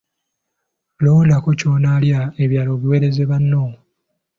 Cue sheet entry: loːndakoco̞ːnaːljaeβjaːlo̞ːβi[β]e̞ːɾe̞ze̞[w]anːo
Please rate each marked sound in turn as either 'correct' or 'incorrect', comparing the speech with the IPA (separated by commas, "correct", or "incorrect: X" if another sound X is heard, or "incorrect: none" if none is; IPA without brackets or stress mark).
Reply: incorrect: w, incorrect: β